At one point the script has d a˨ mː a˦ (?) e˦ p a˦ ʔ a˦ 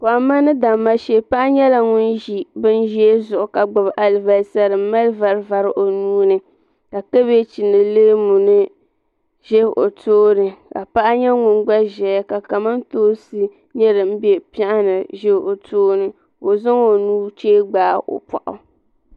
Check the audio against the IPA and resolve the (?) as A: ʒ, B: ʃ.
B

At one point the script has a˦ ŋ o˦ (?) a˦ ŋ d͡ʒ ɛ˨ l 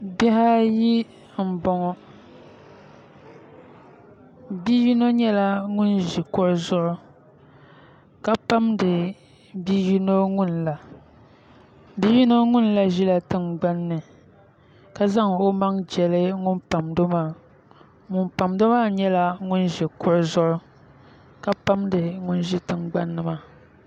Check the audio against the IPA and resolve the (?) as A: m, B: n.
A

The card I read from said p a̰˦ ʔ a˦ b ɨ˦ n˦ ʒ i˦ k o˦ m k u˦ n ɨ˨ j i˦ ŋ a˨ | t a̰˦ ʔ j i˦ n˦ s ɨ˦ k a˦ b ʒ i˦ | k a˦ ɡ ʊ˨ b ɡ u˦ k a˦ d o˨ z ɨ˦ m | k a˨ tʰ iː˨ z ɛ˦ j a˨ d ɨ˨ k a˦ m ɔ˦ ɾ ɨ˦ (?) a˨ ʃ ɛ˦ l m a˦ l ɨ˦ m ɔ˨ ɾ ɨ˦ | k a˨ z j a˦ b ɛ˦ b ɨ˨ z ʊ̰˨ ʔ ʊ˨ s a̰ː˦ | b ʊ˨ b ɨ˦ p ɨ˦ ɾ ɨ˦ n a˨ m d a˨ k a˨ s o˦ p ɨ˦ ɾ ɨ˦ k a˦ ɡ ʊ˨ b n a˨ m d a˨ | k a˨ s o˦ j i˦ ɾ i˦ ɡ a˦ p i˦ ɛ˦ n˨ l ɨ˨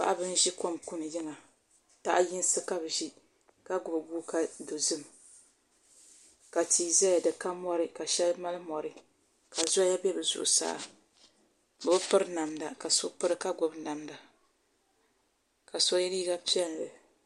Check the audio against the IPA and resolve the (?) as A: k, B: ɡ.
A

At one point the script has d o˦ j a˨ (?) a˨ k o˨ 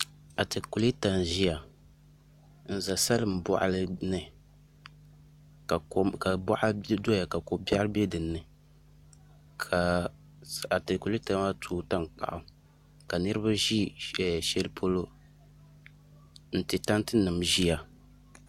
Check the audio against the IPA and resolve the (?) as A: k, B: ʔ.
A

